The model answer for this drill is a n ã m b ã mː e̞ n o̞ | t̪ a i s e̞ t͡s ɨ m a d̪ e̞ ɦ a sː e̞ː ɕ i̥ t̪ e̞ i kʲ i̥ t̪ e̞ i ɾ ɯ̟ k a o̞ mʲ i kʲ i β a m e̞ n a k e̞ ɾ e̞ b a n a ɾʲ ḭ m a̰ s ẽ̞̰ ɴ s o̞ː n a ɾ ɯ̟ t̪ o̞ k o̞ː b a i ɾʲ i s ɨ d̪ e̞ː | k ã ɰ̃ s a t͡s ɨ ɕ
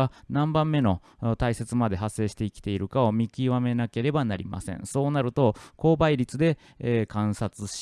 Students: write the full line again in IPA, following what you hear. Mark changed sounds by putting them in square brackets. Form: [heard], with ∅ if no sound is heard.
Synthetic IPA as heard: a n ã m b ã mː e̞ n o̞ | t̪ a i s e̞ t͡s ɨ m a d̪ e̞ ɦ a sː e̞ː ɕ i̥ t̪ e̞ i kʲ i̥ t̪ e̞ i ɾ ɯ̟ k a o̞ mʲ i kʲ i β a m e̞ n a k e̞ ɾ e̞ b a n a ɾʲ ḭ m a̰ s ẽ̞̰ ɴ s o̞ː n a ɾ ɯ̟ t̪ o̞ k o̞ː b a i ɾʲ i [t͡s] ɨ d̪ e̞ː | k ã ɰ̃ s a t͡s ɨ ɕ